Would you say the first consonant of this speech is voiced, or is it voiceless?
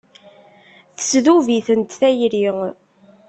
voiceless